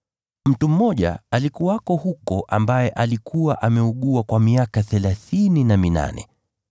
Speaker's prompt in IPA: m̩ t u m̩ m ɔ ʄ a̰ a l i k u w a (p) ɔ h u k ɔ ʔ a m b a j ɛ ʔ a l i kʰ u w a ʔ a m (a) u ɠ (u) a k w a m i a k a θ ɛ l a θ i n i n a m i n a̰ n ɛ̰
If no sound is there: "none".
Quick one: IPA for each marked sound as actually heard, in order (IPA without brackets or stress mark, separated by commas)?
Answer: k, ɛ, u